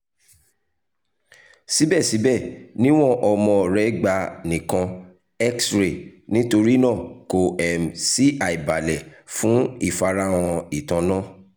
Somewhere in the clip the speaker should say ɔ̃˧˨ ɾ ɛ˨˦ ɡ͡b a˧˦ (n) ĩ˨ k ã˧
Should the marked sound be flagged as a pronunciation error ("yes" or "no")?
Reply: no